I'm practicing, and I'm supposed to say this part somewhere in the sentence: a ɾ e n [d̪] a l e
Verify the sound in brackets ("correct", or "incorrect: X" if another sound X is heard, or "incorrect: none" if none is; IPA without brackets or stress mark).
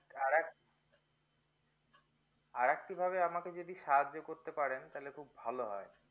incorrect: t̪